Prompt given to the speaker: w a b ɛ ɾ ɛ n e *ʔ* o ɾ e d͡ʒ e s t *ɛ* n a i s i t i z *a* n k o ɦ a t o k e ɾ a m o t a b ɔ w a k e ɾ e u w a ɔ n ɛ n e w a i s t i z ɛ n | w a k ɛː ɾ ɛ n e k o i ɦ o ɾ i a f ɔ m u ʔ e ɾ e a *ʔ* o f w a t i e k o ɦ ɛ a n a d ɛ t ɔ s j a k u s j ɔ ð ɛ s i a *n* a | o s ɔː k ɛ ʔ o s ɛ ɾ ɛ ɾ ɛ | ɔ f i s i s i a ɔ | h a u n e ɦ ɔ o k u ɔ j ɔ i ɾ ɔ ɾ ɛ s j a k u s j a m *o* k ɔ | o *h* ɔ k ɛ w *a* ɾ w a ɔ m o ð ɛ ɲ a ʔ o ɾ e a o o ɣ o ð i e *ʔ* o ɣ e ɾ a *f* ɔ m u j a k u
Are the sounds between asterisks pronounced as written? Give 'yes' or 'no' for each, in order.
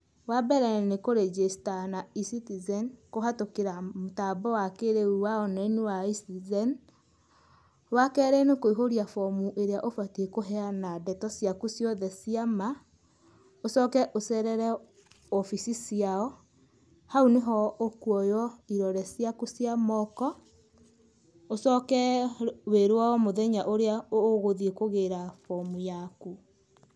no, no, no, yes, no, no, no, no, no, yes

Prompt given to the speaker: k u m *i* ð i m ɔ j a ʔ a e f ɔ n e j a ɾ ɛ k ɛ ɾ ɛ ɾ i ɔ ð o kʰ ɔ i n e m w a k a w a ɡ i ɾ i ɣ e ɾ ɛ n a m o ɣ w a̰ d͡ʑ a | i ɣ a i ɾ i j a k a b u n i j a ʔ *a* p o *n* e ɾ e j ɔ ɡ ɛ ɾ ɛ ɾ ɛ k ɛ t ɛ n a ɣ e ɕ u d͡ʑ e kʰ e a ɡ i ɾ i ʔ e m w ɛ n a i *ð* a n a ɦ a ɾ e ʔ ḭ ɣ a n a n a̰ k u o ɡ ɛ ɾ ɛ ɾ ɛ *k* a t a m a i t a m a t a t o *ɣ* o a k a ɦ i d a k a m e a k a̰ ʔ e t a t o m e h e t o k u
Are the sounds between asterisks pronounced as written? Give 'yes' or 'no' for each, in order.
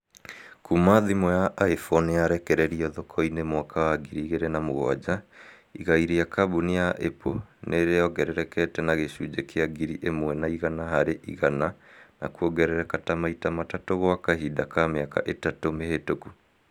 no, no, yes, no, yes, yes

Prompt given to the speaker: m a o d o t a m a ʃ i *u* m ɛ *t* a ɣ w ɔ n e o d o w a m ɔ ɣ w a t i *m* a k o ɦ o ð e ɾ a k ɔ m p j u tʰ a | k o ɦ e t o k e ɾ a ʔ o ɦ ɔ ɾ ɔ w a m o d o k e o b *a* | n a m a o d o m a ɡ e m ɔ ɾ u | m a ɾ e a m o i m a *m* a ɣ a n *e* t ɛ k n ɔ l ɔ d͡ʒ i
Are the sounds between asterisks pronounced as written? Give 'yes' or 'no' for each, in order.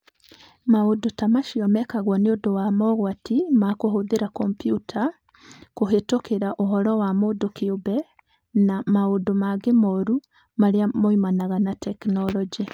no, no, yes, no, no, no

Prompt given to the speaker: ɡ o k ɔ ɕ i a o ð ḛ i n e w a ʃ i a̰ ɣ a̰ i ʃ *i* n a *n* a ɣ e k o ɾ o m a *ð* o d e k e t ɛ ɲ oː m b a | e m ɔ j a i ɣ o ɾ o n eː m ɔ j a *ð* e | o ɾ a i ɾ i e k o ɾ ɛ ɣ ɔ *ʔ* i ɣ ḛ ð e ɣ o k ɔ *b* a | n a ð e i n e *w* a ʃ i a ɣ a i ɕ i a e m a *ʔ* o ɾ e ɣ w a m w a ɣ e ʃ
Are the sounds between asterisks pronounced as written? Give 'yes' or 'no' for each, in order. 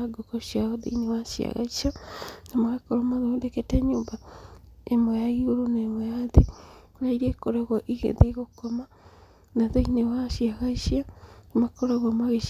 no, no, yes, yes, yes, no, yes, no

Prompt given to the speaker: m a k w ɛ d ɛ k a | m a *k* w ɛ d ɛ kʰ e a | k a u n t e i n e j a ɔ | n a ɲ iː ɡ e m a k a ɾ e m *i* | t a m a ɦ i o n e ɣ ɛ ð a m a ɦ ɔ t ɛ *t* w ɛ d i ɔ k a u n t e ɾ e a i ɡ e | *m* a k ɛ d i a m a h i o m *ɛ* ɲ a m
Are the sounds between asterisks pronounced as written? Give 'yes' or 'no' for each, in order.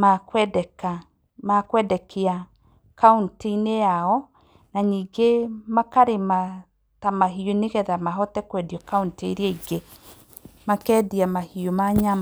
yes, no, no, yes, no

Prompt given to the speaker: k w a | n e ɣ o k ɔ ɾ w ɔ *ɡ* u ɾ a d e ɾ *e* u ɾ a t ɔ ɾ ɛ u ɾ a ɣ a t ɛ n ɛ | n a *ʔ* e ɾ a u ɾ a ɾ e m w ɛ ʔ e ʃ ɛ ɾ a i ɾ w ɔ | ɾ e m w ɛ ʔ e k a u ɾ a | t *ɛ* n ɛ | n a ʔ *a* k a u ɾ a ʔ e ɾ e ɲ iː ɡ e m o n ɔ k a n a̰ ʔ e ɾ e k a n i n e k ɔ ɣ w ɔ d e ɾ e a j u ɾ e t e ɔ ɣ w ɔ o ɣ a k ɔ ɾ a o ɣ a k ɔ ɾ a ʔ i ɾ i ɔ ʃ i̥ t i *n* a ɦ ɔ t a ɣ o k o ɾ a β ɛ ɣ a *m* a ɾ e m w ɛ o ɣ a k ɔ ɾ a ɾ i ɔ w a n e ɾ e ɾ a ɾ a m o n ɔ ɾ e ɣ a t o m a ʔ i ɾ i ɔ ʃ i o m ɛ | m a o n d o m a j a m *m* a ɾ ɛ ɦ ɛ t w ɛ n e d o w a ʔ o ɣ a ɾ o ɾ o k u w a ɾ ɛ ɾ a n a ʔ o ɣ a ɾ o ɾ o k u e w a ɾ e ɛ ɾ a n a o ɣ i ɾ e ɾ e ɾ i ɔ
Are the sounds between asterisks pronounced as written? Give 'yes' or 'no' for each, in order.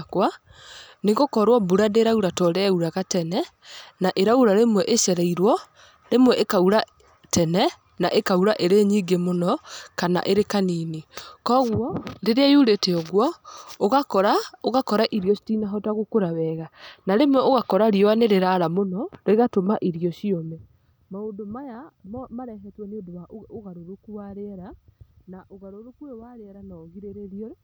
no, no, yes, yes, no, yes, no, yes

